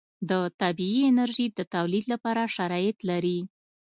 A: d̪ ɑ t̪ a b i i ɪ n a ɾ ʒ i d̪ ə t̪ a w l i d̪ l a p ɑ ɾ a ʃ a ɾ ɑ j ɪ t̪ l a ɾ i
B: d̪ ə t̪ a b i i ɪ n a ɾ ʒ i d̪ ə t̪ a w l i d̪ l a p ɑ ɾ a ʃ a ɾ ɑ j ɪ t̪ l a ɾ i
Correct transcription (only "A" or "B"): B